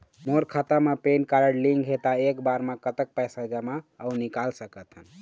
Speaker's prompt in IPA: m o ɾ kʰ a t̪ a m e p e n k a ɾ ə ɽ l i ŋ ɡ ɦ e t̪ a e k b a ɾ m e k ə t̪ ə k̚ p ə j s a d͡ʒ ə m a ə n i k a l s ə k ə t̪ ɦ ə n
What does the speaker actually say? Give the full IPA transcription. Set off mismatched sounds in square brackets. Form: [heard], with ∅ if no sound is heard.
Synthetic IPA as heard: m o ɾ kʰ a t̪ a m e p e n k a ɾ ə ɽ l i ŋ ɡ ɦ e t̪ a e k b a ɾ m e k ə t̪ ə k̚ p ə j s a d͡ʒ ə m a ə n i k a l s ə k ə t̪ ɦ ə n